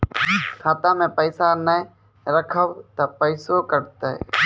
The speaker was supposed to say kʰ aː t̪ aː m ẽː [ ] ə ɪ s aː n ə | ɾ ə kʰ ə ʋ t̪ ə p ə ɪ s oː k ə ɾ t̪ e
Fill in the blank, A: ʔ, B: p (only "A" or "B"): B